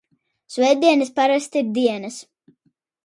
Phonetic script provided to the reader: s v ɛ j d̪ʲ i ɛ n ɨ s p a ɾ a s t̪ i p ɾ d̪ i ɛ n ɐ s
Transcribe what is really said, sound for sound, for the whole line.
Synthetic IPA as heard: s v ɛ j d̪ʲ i ɛ n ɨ s p a ɾ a s t̪ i ɾ d̪ i ɛ n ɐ s